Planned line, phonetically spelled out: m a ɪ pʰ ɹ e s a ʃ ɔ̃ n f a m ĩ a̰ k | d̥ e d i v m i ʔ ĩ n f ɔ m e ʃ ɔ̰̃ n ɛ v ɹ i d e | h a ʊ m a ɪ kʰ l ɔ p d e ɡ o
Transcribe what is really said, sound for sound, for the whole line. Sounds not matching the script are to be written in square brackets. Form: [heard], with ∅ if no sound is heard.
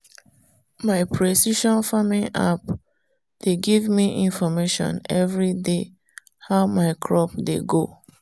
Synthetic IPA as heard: m a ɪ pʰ ɹ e s [i] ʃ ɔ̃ n f a m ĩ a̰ [p] | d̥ e [ɡ] i v m i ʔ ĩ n f ɔ m e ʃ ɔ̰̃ n ɛ v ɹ i d e | h a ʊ m a ɪ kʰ [ɹ] ɔ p d e ɡ o